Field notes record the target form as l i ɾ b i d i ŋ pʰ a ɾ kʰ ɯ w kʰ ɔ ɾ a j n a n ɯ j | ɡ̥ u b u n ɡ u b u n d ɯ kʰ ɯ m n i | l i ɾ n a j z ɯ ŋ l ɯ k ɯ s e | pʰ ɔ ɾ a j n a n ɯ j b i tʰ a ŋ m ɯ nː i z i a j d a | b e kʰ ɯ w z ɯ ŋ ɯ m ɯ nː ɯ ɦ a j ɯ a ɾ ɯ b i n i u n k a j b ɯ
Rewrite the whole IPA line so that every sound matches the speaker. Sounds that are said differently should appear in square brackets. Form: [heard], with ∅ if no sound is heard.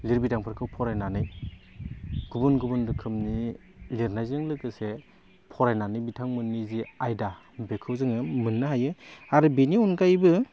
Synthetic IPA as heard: l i ɾ b i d [a] ŋ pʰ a ɾ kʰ ɯ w [pʰ] ɔ ɾ a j n a n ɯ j | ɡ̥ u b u n ɡ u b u n d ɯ kʰ ɯ m n i | l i ɾ n a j z ɯ ŋ l ɯ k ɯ s e | pʰ ɔ ɾ a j n a n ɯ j b i tʰ a ŋ m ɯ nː i z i a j d a | b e kʰ ɯ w z ɯ ŋ ɯ m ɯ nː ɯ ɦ a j ɯ a ɾ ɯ b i n i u n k a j b ɯ